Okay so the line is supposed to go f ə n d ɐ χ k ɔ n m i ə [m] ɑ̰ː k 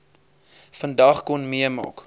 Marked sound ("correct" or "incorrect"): correct